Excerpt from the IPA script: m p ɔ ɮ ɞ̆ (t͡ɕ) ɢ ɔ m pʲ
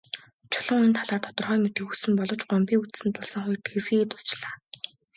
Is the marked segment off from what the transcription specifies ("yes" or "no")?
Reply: no